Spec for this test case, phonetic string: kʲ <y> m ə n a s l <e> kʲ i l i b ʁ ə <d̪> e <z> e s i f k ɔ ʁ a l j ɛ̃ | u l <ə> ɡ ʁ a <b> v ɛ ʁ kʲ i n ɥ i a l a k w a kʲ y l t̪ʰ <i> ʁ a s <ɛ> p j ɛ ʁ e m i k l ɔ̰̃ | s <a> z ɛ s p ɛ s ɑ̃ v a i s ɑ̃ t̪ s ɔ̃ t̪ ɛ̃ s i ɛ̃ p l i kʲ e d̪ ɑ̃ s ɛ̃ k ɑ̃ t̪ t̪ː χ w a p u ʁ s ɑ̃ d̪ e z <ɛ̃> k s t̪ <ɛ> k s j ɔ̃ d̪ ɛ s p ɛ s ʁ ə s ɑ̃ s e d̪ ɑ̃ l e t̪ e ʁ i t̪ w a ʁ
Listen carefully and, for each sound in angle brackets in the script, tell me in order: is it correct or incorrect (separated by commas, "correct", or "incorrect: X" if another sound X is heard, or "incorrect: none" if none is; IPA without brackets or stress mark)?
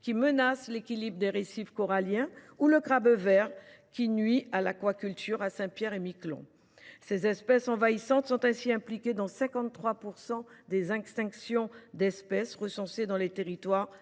incorrect: i, correct, correct, incorrect: ʁ, correct, correct, incorrect: y, incorrect: ɛ̃, incorrect: e, correct, incorrect: ɛ̃